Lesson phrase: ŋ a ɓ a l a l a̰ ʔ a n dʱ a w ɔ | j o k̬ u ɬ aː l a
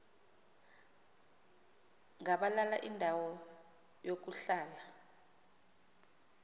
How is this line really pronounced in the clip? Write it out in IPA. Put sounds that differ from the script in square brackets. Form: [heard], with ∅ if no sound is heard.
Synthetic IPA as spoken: ŋ a ɓ a l a l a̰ ʔ [i] n dʱ a w ɔ | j o k̬ u ɬ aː l a